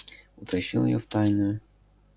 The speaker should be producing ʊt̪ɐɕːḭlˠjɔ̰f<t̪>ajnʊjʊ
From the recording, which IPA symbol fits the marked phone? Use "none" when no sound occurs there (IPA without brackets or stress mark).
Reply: t̪